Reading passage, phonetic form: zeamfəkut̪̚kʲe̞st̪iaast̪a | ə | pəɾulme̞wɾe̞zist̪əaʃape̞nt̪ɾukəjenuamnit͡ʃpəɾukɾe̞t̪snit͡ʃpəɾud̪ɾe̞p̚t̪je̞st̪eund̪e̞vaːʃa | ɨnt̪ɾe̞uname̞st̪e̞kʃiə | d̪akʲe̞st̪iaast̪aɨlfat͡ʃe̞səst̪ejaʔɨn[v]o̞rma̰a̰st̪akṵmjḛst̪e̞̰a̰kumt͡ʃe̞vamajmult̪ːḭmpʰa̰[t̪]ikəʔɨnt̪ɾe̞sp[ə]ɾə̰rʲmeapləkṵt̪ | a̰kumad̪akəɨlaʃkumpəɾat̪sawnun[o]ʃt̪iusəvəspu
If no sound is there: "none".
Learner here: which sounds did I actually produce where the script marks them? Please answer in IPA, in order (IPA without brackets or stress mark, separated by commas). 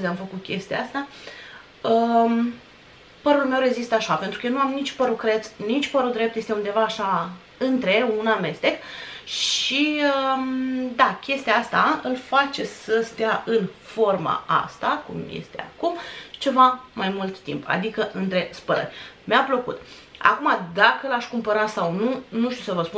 f, d̪, ə, u